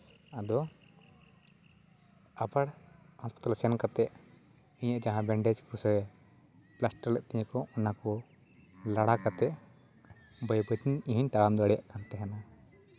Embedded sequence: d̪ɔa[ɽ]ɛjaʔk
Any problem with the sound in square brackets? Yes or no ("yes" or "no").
no